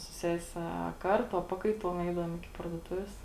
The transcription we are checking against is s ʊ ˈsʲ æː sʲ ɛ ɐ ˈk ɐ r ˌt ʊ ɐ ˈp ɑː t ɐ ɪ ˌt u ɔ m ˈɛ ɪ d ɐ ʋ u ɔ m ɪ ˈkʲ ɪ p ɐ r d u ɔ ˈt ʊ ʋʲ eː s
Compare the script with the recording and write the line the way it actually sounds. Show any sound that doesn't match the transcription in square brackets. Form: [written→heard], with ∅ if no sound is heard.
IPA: s ʊ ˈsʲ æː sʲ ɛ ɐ ˈk ɐ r ˌt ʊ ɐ ˈp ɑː [t→k] ɐ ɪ ˌt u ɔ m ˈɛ ɪ d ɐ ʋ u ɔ m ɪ ˈkʲ ɪ p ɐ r d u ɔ ˈt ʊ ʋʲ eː s

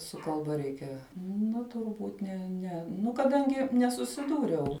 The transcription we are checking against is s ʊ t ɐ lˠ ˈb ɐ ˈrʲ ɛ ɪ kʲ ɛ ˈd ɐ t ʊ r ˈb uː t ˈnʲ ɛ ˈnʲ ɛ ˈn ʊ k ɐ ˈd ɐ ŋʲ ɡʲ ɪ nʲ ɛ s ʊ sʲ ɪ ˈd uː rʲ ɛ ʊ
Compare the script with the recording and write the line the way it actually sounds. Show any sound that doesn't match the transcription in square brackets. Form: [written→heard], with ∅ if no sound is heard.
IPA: s ʊ [t→k] ɐ lˠ ˈb ɐ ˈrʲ ɛ ɪ kʲ ɛ [ˈd→ˈn] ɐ t ʊ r ˈb uː t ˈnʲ ɛ ˈnʲ ɛ ˈn ʊ k ɐ ˈd ɐ ŋʲ ɡʲ ɪ nʲ ɛ s ʊ sʲ ɪ ˈd uː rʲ ɛ ʊ

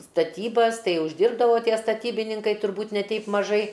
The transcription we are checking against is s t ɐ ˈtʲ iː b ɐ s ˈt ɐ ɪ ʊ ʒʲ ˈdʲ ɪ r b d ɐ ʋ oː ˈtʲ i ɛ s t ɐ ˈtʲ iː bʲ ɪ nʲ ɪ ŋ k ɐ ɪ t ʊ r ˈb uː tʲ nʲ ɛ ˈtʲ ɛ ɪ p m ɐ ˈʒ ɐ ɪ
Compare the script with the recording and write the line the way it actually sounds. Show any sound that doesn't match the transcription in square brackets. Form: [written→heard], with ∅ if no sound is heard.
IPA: s t ɐ ˈtʲ iː b ɐ s ˈt ɐ ɪ ʊ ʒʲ ˈdʲ ɪ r b d ɐ ʋ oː ˈtʲ i ɛ s t ɐ ˈtʲ iː bʲ ɪ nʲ ɪ ŋ k ɐ ɪ t ʊ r ˈb uː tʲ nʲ ɛ ˈtʲ ɛ ɪ p m ɐ ˈʒ ɐ ɪ

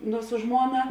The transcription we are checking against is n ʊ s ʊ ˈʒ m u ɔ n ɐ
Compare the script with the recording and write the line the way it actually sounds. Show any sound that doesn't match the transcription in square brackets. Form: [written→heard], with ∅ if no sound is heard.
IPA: n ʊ s ʊ ˈʒ m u ɔ n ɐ

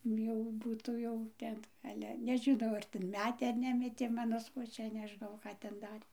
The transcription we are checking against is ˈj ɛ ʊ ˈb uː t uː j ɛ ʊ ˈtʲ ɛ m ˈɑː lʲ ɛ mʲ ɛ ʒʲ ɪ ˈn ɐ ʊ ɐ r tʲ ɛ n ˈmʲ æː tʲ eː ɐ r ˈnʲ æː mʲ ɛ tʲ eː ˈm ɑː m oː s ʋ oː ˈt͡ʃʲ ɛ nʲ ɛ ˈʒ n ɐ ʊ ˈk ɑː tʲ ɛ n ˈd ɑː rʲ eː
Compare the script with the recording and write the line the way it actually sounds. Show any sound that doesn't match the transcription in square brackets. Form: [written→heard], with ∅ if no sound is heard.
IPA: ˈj ɛ ʊ ˈb uː t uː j ɛ ʊ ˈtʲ ɛ [m→n] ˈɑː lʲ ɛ [mʲ→nʲ] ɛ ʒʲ ɪ ˈn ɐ ʊ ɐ r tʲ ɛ n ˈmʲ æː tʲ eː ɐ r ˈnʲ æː mʲ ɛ tʲ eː ˈm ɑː [m→n] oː s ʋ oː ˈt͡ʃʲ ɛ nʲ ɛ ˈʒ n ɐ ʊ ˈk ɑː tʲ ɛ n ˈd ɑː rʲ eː

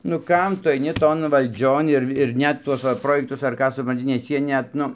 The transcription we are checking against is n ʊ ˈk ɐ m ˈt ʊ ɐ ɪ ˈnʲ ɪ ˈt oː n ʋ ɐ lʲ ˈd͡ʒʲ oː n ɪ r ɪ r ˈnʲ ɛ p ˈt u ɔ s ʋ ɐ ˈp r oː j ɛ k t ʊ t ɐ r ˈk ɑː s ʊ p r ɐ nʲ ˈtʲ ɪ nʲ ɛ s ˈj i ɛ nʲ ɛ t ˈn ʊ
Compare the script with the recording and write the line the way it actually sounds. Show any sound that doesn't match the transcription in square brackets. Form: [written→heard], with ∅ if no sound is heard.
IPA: n ʊ ˈk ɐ m ˈt ʊ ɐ ɪ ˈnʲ ɪ ˈt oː n ʋ ɐ lʲ ˈd͡ʒʲ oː n ɪ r ɪ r ˈnʲ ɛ [p→t] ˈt u ɔ s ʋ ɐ ˈp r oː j ɛ k t ʊ [t→s] ɐ r ˈk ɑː s ʊ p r ɐ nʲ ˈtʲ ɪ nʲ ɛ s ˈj i ɛ nʲ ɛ t ˈn ʊ

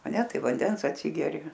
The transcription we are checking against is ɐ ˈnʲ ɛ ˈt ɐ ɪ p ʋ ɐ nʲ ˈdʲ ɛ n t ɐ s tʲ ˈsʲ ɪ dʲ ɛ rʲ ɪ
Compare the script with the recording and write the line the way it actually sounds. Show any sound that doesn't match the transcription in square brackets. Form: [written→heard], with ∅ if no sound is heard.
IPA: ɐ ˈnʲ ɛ ˈt ɐ ɪ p ʋ ɐ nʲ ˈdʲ ɛ n [t→s] ɐ [s→∅] tʲ ˈsʲ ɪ [dʲ→ɡʲ] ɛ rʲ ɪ

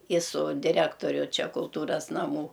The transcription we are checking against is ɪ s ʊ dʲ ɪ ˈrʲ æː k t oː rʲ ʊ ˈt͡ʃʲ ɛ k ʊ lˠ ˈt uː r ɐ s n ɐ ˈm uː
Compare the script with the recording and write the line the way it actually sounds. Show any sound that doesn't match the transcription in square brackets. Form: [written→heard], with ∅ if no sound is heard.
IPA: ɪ s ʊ dʲ ɪ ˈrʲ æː k t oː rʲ ʊ ˈt͡ʃʲ ɛ k ʊ lˠ ˈt uː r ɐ s n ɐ ˈm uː

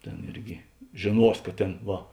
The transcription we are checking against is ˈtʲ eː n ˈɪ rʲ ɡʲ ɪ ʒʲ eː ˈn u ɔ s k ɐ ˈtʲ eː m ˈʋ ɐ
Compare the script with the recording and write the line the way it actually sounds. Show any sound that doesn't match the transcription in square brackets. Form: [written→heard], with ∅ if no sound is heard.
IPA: ˈtʲ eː n ˈɪ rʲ ɡʲ ɪ ʒʲ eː ˈn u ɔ s k ɐ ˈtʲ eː [m→n] ˈʋ ɐ

